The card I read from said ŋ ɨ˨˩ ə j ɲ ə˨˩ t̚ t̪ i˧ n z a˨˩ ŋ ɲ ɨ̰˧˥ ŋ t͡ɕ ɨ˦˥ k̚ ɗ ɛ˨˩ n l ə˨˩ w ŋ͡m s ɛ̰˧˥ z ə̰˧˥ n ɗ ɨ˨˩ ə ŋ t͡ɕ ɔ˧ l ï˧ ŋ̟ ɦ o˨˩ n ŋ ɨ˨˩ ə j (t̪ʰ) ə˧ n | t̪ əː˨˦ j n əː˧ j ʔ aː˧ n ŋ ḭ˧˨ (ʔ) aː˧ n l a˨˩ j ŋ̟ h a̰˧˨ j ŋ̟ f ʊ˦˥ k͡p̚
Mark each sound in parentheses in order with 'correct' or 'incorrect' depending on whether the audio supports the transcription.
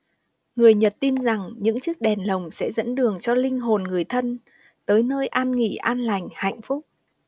correct, correct

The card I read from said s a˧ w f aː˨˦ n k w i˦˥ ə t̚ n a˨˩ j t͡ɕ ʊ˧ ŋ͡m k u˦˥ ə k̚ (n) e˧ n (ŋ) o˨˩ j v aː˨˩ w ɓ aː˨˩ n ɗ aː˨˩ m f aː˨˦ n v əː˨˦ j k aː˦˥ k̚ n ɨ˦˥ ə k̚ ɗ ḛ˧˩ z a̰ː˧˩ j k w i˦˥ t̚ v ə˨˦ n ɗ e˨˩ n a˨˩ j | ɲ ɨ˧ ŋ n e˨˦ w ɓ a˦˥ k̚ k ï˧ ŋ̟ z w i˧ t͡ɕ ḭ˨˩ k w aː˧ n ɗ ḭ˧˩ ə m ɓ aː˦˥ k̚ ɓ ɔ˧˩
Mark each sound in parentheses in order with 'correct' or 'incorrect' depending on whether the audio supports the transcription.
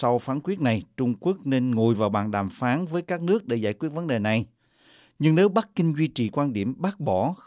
correct, correct

